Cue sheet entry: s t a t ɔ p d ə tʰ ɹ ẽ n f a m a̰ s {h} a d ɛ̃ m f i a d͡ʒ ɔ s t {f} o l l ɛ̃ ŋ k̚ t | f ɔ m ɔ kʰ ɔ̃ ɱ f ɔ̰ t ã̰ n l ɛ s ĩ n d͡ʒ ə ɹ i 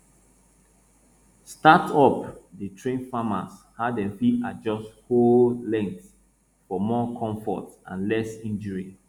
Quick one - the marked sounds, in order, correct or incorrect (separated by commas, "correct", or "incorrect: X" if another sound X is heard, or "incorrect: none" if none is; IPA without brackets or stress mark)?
correct, incorrect: h